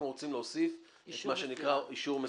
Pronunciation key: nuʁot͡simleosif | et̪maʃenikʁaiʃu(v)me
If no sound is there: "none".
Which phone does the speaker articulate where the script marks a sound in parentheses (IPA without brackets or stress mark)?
ʁ